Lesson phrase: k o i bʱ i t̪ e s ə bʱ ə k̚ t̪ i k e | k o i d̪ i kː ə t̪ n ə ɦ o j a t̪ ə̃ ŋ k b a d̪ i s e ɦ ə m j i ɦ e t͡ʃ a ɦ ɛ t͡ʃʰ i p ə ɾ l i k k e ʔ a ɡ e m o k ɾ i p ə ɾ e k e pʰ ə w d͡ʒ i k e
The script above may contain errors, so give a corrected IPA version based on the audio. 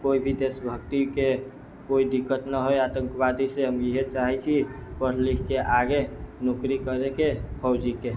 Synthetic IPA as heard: k o i bʱ i d̪ e s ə bʱ ə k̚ t̪ i k e | k o i d̪ i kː ə t̪ n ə ɦ o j a t̪ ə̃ ŋ k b a d̪ i s e ɦ ə m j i ɦ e t͡ʃ a ɦ ɛ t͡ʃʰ i p ə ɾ l i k k e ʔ a ɡ e n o k ɾ i k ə ɾ e k e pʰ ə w d͡ʒ i k e